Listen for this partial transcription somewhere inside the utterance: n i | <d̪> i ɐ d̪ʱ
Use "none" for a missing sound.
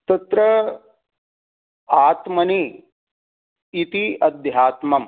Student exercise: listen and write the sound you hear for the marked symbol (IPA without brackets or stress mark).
t̪